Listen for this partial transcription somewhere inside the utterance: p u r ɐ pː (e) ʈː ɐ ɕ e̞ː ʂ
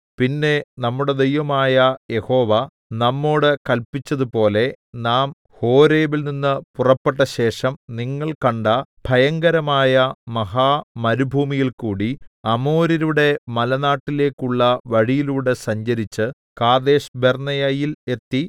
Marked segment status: correct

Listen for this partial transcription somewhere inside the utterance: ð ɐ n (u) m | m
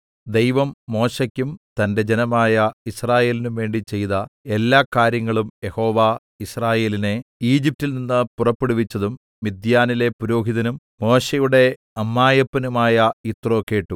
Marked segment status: correct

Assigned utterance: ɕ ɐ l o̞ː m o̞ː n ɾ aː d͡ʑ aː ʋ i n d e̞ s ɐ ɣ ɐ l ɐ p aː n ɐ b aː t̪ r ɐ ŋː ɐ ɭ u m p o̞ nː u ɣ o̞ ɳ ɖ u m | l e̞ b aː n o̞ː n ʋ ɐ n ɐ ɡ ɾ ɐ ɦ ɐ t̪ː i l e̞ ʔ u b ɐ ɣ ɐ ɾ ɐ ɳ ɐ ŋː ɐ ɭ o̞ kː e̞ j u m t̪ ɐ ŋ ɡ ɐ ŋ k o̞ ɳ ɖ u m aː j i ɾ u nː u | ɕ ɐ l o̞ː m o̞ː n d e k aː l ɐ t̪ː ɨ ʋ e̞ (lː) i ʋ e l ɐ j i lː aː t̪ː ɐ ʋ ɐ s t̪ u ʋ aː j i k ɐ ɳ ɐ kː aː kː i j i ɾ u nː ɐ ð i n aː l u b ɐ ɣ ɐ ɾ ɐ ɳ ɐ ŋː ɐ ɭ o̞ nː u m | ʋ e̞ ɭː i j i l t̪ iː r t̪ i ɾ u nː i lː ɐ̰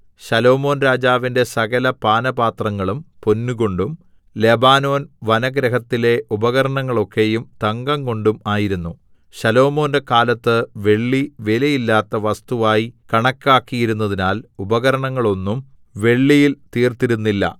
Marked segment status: incorrect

